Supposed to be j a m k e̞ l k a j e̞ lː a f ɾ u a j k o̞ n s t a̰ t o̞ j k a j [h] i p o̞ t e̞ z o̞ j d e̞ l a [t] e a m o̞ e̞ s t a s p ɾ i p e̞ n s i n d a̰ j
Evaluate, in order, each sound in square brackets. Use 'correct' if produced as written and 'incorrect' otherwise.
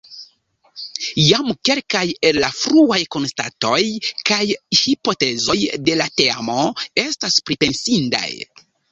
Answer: correct, correct

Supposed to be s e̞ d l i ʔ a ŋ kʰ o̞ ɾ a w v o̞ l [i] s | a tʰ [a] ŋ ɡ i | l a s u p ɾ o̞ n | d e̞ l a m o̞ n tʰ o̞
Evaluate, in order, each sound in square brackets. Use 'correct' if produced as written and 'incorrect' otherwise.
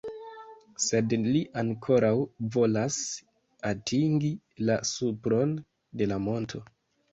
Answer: incorrect: a, incorrect: i

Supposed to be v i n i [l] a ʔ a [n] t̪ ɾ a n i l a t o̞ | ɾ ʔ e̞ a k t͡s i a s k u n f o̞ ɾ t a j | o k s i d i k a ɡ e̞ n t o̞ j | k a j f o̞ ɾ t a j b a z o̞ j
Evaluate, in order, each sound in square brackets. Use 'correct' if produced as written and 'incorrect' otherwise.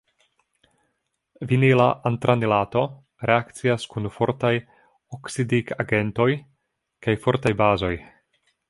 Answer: correct, correct

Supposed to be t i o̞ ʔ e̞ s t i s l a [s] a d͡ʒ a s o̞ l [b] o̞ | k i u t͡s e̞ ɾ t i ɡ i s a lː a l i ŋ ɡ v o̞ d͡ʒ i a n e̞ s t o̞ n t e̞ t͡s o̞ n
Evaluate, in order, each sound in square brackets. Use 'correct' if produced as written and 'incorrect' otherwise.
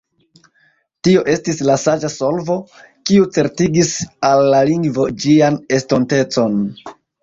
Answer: correct, incorrect: v

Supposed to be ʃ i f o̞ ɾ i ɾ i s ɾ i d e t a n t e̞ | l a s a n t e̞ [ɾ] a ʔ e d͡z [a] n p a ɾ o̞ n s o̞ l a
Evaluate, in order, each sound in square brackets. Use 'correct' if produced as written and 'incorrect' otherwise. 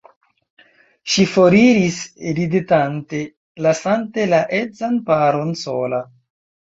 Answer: incorrect: l, correct

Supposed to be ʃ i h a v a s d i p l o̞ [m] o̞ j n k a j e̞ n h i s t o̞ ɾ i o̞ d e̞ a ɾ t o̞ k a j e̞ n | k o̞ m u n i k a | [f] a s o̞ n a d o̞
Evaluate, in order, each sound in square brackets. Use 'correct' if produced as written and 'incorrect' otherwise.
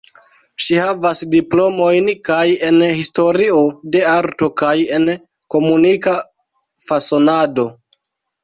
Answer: correct, correct

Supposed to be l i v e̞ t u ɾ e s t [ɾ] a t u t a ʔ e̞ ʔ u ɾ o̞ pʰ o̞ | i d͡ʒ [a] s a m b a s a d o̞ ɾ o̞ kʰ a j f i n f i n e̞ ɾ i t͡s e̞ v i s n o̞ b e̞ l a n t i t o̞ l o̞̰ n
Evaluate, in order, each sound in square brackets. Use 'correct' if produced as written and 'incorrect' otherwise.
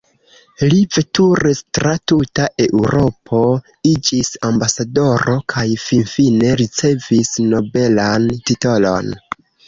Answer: correct, incorrect: i

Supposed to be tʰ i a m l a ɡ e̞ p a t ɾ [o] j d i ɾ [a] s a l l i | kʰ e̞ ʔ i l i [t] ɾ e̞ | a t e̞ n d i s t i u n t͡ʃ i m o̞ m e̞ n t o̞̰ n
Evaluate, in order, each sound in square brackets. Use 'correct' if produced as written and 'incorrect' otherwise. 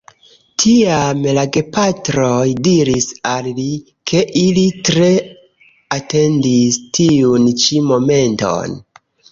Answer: correct, incorrect: i, correct

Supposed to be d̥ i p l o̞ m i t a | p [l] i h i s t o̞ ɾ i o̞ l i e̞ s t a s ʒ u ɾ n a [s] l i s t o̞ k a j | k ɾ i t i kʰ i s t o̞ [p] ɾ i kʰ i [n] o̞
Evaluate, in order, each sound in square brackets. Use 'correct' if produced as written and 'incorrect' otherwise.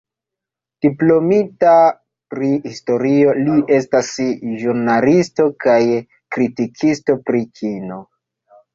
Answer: incorrect: ɾ, incorrect: none, correct, correct

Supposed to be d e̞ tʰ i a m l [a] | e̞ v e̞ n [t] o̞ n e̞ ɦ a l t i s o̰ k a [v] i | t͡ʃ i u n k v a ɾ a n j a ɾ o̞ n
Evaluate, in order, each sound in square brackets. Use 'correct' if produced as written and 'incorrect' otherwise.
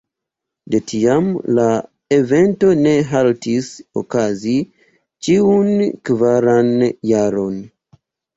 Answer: correct, correct, incorrect: z

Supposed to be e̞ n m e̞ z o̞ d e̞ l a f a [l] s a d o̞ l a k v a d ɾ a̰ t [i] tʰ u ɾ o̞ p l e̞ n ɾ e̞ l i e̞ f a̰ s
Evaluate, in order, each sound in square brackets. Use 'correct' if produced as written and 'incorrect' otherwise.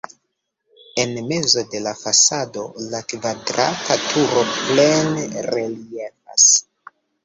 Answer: incorrect: none, incorrect: a

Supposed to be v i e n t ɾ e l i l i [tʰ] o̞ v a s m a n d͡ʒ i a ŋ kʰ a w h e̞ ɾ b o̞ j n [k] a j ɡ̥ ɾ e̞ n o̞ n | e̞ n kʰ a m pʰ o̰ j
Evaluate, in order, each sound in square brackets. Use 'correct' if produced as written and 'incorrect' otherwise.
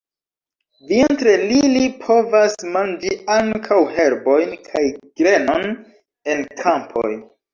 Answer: incorrect: pʰ, incorrect: kʰ

